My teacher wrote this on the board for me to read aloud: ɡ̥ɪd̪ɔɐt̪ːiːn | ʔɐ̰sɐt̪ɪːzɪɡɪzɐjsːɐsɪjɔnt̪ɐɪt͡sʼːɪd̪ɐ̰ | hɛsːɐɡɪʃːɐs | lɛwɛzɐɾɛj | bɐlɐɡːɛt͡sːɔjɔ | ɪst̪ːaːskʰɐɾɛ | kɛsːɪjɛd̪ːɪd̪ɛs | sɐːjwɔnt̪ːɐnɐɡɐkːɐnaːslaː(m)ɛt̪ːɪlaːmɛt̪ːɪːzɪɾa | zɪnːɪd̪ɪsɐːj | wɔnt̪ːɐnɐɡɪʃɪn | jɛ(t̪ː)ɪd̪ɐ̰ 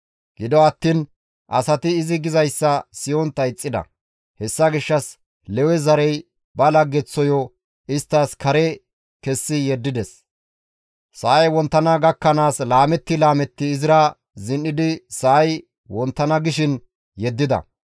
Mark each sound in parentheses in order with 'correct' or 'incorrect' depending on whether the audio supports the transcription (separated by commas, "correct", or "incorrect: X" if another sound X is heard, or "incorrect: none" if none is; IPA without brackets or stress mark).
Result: correct, incorrect: d̪ː